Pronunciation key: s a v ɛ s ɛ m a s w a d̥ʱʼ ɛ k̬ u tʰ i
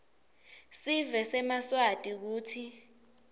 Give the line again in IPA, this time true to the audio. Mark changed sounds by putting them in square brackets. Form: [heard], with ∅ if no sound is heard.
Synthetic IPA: s [i] v ɛ s ɛ m a s w a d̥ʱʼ [i] k̬ [uː] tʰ i